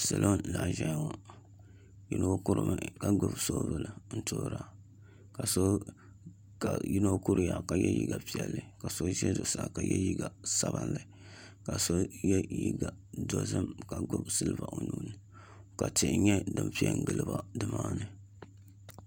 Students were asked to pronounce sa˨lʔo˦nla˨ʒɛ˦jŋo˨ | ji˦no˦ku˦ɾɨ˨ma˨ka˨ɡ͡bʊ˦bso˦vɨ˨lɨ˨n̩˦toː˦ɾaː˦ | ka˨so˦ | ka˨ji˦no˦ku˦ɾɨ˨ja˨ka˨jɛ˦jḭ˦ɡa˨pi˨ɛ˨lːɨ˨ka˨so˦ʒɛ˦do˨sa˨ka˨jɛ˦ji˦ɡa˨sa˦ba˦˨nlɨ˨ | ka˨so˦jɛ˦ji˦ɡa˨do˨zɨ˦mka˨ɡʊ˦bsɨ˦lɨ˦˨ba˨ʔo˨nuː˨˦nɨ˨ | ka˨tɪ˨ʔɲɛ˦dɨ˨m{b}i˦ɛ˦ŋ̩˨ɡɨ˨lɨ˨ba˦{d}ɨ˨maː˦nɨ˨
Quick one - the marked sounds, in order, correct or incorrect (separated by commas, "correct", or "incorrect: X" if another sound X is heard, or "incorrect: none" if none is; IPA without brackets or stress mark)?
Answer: incorrect: p, correct